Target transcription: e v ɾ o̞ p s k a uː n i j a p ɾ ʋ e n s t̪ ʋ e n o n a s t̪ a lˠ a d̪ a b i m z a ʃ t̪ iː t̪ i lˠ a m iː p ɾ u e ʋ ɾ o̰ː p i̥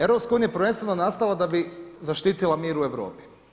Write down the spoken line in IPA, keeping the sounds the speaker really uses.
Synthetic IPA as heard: e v ɾ o̞ p s k a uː n i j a p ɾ ʋ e n s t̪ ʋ e n o n a s t̪ a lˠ a d̪ a b i z a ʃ t̪ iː t̪ i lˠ a m iː ɾ u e ʋ ɾ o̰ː p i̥